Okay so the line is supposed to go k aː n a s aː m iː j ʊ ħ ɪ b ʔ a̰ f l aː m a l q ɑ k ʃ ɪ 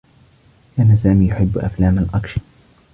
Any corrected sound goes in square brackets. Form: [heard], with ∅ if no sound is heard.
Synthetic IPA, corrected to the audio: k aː n a s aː m iː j ʊ ħ ɪ [bː] ʔ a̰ f l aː m a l [ʔ] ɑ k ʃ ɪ